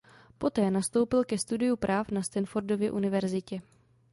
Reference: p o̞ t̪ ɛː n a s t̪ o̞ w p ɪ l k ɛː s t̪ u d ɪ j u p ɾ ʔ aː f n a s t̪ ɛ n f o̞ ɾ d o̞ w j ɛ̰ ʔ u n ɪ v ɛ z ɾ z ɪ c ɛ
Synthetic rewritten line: p o̞ t̪ ɛː n a s t̪ o̞ w p ɪ l k ɛ s t̪ u d ɪ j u p ɾ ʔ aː f n a s t̪ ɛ n f o̞ ɾ d o̞ v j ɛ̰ ʔ u n ɪ v ɛ ɾ z ɪ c ɛ